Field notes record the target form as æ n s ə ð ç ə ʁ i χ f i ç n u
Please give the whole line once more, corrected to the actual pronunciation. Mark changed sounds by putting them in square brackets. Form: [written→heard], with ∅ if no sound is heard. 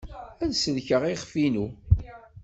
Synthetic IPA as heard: æ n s ə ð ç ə ʁ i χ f i [ç→∅] n u